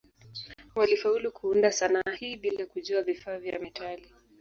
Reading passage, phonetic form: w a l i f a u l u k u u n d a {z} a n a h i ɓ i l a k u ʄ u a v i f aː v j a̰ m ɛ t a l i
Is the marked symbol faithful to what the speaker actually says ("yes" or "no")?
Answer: no